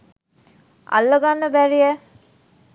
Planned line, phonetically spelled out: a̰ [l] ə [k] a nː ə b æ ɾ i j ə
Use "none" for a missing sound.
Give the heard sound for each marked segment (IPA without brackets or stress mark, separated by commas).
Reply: lː, ɡ